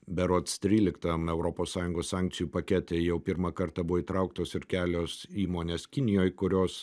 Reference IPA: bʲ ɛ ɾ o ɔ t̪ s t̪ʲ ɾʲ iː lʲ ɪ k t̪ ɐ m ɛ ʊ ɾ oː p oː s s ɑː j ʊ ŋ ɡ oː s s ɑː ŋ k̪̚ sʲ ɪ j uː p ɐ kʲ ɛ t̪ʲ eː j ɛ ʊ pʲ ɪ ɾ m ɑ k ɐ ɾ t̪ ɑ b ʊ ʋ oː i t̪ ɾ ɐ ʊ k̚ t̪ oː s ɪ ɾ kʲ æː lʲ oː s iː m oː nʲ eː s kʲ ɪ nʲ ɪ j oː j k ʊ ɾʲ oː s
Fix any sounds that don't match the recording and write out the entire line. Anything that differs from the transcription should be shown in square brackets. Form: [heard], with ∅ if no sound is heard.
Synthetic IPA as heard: bʲ ɛ ɾ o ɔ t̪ s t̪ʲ ɾʲ iː lʲ ɪ k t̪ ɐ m ɛ ʊ ɾ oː p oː s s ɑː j ʊ ŋ ɡ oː s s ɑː ŋ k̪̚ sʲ ɪ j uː p ɐ kʲ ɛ t̪ʲ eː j ɛ ʊ pʲ ɪ ɾ m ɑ k ɐ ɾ t̪ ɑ b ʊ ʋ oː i t̪ ɾ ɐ ʊ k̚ t̪ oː s ɪ ɾ kʲ æː lʲ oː s iː m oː nʲ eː s kʲ ɪ nʲ ɪ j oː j k ʊ ɾʲ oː s